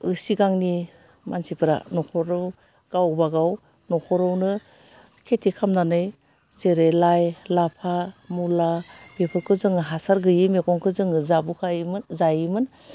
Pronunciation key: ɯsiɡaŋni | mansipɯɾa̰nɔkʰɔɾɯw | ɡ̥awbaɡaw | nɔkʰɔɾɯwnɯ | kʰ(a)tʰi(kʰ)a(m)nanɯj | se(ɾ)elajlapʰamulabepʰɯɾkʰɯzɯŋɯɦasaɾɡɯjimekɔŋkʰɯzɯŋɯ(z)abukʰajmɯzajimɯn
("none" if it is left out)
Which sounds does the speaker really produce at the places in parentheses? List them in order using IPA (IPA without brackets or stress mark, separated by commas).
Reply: e, kʰ, m, ɾ, z